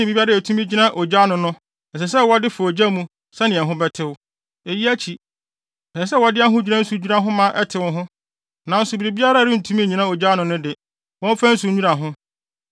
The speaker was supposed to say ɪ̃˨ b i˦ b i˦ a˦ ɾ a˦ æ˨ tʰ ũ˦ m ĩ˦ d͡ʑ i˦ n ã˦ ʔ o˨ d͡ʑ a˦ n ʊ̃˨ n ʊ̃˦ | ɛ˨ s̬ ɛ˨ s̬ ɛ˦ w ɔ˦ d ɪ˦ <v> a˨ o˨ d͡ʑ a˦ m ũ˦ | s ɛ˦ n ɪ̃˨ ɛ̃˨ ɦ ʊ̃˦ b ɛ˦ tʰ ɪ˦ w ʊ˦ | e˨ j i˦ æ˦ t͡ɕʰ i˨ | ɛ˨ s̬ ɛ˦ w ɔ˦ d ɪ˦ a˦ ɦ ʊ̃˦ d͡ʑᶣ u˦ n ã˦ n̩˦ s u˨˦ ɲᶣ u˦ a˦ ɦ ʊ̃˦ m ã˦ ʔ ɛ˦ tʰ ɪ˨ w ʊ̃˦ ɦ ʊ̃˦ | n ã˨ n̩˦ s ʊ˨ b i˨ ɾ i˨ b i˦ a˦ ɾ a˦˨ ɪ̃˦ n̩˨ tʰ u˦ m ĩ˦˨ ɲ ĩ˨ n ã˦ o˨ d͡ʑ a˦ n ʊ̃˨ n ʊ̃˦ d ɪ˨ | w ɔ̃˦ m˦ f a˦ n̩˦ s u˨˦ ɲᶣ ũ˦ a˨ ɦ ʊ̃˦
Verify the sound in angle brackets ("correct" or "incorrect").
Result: incorrect